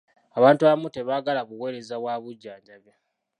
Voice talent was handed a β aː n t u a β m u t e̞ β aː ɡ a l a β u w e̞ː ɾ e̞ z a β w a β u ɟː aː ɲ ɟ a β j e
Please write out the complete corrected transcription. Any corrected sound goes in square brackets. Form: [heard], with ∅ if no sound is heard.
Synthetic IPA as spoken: a β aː n t u a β m u t e̞ β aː ɡ a l a β u w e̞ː ɾ e̞ z a β w a β u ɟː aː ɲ ɟ a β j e